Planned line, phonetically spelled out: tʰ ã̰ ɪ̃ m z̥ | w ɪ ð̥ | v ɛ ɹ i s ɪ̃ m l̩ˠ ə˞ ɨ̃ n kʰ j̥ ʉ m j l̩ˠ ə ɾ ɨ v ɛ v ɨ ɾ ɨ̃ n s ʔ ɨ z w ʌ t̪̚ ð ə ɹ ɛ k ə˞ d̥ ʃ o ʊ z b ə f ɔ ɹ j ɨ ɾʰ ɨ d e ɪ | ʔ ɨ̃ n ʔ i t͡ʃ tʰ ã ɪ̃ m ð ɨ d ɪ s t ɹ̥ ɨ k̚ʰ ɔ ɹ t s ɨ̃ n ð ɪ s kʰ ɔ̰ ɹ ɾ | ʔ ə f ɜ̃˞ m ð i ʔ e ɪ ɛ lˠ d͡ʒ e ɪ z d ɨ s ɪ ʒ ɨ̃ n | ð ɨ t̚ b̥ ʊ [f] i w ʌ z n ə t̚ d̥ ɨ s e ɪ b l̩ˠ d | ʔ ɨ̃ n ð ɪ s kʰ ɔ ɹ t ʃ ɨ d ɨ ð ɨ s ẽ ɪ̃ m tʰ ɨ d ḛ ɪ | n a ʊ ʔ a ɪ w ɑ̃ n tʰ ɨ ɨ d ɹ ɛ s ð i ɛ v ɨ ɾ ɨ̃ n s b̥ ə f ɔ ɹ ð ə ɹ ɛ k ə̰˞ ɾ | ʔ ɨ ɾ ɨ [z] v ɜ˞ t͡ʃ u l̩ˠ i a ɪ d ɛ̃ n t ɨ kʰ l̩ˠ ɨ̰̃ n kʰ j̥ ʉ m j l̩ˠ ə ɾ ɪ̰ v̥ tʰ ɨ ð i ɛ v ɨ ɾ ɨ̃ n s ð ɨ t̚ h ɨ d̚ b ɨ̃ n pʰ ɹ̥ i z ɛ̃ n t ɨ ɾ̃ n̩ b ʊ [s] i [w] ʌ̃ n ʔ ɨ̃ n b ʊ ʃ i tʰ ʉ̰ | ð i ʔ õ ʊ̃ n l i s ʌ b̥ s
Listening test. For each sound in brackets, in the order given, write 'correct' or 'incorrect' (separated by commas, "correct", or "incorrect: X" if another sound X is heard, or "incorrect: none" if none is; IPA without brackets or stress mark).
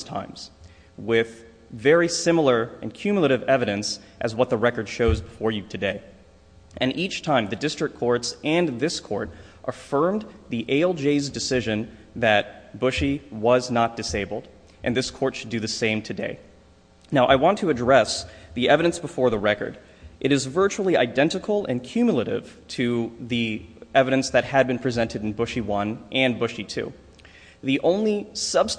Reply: incorrect: ʃ, correct, incorrect: ʃ, correct